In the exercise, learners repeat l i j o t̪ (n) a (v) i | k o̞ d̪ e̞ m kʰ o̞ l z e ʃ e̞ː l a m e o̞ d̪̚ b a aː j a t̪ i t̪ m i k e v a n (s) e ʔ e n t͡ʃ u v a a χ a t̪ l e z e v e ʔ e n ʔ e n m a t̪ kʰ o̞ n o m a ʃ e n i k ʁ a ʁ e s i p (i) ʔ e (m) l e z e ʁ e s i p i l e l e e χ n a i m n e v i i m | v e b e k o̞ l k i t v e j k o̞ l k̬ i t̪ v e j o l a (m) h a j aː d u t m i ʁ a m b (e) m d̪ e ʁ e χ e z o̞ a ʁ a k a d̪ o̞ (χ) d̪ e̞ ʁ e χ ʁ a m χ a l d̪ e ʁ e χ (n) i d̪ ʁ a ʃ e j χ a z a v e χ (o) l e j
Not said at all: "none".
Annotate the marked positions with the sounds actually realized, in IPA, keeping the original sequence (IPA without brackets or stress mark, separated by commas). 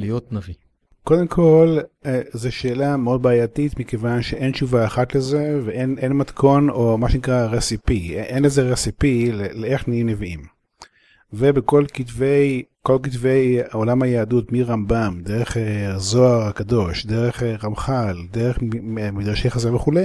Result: n, v, ʃ, i, n, m, a, ʃ, m, u